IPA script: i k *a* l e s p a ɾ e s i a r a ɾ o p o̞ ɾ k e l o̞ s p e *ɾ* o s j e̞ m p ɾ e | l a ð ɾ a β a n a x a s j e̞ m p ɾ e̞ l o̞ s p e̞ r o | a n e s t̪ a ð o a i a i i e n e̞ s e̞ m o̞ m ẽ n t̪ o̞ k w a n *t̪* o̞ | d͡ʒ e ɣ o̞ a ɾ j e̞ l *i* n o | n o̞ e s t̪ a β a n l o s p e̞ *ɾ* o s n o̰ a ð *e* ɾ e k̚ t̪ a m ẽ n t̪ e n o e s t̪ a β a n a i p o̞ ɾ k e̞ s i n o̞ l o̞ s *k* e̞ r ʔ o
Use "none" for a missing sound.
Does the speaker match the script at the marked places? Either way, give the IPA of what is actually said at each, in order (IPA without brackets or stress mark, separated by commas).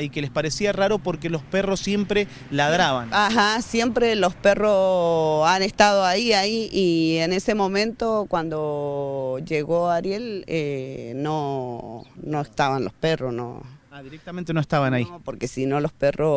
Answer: e, r, d̪, e, r, i, p